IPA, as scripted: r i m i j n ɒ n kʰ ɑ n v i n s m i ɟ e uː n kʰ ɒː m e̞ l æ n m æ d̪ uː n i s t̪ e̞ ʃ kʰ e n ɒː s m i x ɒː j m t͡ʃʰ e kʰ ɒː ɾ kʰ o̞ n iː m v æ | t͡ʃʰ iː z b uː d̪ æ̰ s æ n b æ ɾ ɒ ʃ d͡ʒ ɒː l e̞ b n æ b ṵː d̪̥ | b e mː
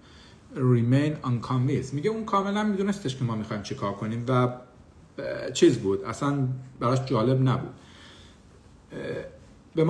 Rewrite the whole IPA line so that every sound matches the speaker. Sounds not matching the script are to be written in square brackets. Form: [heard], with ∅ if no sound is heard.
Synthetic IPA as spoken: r i m [e] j n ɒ n kʰ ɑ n v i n s m i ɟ e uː n kʰ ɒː m e̞ l æ n m [i] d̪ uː n [e] s t̪ e̞ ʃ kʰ e [m] ɒː [∅] m i x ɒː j m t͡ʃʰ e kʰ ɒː ɾ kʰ o̞ n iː m v æ | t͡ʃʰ iː z b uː d̪ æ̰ s æ n b æ ɾ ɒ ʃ d͡ʒ ɒː l e̞ b n æ b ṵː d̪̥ | b e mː